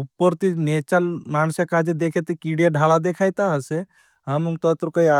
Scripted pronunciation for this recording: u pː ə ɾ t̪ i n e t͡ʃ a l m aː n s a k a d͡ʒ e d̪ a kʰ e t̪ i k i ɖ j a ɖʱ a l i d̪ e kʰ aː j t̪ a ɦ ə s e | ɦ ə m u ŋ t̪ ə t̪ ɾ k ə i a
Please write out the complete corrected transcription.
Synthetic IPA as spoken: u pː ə ɾ t̪ i n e t͡ʃ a l m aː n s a k a d͡ʒ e d̪ e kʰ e t̪ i k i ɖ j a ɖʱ a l a d̪ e kʰ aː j t̪ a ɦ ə s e | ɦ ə m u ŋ t̪ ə t̪ ɾ k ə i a